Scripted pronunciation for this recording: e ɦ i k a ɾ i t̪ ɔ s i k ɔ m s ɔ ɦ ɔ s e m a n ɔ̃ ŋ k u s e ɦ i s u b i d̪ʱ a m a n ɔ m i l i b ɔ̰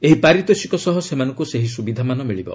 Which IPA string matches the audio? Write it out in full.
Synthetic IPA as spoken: e ɦ i p a ɾ i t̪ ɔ s i k ɔ s ɔ ɦ ɔ s e m a n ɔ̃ ŋ k u s e ɦ i s u b i d̪ʱ a m a n ɔ m i ɭ i b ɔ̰